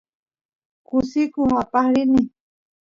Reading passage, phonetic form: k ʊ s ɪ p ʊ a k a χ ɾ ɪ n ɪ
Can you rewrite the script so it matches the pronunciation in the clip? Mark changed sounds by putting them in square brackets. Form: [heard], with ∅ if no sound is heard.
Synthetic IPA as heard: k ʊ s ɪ [k] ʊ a [p] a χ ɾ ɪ n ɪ